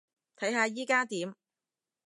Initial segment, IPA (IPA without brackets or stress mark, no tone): t̪ʰ